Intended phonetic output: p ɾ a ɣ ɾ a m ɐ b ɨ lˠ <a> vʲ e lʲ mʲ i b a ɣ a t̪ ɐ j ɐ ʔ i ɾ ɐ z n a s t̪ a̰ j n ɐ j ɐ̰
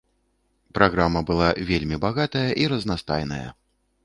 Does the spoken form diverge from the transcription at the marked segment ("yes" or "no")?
no